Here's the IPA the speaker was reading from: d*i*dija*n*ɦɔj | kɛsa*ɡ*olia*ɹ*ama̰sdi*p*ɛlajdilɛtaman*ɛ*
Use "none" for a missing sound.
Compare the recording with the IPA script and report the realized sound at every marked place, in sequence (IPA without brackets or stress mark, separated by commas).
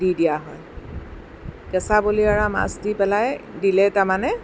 i, none, b, ɹ, p, ɛ